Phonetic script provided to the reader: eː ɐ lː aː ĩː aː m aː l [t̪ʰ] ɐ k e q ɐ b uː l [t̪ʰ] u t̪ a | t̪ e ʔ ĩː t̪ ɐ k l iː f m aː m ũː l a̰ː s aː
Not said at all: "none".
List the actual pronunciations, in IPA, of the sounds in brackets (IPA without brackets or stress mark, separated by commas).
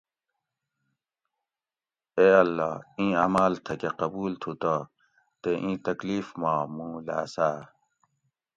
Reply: t̪ʰ, t̪ʰ